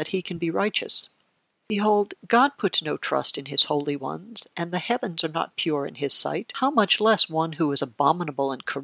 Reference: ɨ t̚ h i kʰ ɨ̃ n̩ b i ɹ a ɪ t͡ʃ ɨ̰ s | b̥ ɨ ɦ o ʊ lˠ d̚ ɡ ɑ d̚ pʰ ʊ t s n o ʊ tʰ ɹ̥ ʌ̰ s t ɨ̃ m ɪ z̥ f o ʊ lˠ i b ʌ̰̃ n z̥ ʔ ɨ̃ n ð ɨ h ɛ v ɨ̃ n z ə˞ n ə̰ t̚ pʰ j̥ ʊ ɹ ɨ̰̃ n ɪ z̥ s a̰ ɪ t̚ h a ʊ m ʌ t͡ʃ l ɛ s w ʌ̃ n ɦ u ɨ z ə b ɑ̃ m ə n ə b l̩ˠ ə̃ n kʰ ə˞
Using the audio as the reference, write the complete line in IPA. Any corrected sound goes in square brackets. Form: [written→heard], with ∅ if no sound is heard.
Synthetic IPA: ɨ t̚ h i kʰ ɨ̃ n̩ b i ɹ a ɪ t͡ʃ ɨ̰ s | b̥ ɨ ɦ o ʊ lˠ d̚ ɡ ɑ d̚ pʰ ʊ t s n o ʊ tʰ ɹ̥ ʌ̰ s t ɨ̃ [m→n] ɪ z̥ [f→h] o ʊ lˠ i [b→w] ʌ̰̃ n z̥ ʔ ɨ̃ n ð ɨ h ɛ v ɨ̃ n z ə˞ n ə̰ t̚ pʰ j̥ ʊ ɹ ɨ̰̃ n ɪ z̥ s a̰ ɪ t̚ h a ʊ m ʌ t͡ʃ l ɛ s w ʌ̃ n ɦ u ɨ z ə b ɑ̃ m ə n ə b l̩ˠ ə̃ n kʰ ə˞